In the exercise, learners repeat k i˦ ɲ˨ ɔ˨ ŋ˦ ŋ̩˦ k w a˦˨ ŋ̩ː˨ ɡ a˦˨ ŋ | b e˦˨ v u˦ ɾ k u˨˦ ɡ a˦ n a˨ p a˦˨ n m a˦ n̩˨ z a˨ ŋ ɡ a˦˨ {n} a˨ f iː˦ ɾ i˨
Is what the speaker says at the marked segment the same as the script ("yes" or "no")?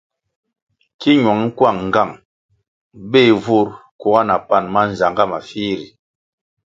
no